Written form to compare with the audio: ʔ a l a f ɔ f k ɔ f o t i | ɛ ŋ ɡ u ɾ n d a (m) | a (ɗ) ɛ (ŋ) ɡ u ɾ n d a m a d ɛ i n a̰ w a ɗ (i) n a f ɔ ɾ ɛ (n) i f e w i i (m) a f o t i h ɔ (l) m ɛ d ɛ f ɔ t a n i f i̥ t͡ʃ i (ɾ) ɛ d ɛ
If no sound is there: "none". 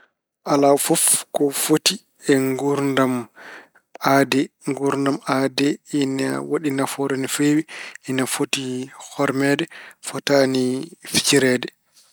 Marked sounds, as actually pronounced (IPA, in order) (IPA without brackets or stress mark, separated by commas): m, d, ŋ, i, n, n, ɾ, ɾ